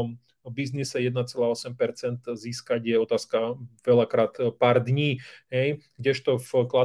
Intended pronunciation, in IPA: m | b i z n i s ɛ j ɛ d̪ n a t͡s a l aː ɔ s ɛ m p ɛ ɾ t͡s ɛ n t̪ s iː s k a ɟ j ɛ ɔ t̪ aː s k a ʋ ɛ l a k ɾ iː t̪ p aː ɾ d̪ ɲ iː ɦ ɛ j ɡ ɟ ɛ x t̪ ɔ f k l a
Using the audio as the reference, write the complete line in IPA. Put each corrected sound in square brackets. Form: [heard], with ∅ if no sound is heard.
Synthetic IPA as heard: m | b i z n i s ɛ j ɛ d̪ n a t͡s [ɛ] l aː ɔ s ɛ m p ɛ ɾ t͡s ɛ n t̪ [z] iː s k a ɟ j ɛ ɔ t̪ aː s k a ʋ ɛ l a k ɾ [aː] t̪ p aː ɾ d̪ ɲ iː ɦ ɛ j ɡ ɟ ɛ [ʃ] t̪ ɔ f k l a